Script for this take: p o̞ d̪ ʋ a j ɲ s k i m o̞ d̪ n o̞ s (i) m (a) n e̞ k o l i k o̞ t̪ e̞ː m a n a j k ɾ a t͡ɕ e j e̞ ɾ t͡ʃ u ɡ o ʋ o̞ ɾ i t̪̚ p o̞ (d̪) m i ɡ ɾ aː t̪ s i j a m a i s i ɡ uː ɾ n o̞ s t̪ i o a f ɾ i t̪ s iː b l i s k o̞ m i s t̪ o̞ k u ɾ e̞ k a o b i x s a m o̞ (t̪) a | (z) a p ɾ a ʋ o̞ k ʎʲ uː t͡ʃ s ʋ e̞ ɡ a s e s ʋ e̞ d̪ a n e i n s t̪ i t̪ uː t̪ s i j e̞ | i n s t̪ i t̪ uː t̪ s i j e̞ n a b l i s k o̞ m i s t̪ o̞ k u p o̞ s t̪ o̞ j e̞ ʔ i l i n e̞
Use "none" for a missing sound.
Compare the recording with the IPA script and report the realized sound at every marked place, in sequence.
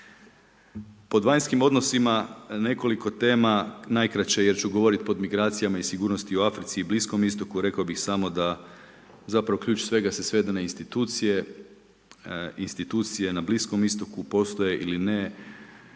i, a, d̪, d̪, z

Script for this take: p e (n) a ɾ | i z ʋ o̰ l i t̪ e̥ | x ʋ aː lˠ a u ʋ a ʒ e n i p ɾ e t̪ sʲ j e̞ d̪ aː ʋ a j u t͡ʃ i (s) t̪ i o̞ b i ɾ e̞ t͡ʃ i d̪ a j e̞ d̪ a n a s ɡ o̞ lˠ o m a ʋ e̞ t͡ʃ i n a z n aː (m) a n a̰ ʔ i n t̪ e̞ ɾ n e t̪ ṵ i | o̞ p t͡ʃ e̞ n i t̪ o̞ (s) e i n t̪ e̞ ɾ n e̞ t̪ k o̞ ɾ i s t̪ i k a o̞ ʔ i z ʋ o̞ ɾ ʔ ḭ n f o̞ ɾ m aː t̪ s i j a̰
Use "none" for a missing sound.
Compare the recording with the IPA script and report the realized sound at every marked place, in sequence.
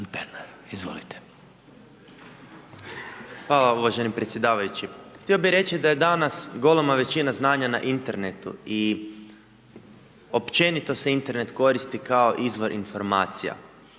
n, x, ɲ, s

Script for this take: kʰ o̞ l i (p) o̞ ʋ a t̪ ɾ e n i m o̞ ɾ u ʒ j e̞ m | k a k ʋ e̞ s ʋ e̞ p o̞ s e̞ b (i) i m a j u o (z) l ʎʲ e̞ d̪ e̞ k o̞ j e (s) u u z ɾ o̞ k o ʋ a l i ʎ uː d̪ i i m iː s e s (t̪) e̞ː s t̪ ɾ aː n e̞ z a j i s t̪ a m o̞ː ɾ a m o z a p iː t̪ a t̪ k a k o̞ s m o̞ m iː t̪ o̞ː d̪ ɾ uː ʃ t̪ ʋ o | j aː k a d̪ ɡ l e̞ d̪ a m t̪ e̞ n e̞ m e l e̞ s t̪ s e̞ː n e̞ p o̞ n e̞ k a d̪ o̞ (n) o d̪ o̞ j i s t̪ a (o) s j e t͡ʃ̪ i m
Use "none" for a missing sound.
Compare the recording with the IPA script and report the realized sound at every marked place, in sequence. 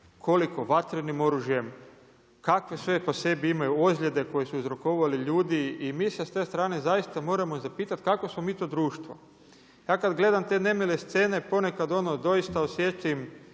k, i, z, s, t̪, n, o

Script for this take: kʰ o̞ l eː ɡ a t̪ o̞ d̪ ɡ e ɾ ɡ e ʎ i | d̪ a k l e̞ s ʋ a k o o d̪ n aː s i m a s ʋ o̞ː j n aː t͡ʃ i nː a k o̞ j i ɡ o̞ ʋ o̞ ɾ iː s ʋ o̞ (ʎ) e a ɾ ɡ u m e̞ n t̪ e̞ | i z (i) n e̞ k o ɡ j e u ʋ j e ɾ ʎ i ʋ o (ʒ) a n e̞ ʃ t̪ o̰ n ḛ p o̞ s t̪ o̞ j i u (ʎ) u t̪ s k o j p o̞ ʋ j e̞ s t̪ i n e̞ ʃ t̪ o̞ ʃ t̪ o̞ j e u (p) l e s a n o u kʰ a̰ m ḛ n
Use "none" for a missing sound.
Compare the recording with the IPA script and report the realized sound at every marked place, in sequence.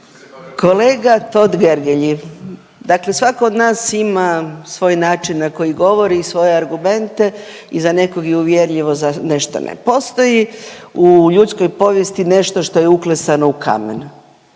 j, a, z, ʎ, k

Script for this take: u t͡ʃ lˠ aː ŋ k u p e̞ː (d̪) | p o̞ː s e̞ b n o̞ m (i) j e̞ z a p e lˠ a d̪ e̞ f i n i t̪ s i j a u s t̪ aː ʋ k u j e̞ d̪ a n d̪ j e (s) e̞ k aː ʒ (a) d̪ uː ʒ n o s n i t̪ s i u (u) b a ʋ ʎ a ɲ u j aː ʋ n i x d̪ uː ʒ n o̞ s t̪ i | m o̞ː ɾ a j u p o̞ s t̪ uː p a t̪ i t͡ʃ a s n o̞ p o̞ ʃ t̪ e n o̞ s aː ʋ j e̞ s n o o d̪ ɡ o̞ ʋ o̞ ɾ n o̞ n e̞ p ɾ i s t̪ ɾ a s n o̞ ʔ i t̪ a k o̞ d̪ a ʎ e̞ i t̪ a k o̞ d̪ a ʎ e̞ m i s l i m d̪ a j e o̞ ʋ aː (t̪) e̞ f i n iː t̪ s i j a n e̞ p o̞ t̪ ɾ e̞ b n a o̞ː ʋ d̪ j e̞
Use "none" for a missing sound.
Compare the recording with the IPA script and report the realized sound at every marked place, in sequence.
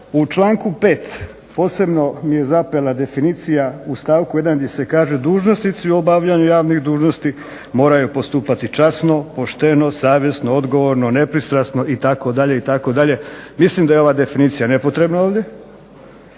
t̪, i, s, e, o, d̪

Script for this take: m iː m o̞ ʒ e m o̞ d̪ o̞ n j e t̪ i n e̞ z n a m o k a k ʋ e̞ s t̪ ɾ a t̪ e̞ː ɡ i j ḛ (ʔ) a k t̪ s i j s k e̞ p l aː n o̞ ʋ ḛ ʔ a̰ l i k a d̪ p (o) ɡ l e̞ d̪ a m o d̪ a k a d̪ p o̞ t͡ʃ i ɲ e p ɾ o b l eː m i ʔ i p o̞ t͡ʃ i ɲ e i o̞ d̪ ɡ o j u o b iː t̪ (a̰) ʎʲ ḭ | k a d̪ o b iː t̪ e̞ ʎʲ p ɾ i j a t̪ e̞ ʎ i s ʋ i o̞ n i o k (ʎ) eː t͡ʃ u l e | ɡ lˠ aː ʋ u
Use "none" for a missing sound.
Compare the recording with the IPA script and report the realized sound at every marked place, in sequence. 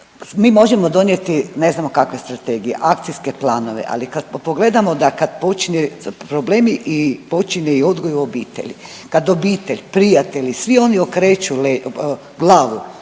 ʔ, o, ḛ, ɾ

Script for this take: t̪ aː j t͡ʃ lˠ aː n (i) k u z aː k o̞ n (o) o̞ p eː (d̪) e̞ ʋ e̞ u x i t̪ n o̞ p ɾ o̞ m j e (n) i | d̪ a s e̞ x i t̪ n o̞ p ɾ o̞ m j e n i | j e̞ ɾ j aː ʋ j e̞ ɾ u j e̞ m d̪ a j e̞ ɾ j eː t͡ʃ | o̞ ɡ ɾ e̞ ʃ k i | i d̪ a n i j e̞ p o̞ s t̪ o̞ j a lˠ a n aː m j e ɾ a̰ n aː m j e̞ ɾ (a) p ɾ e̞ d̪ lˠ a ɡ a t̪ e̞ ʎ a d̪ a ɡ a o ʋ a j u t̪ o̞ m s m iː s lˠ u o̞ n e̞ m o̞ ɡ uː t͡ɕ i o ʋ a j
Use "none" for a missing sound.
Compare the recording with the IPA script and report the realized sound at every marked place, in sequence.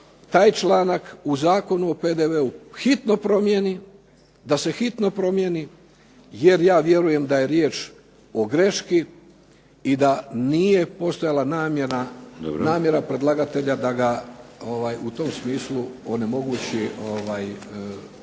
a, u, d̪, n, a

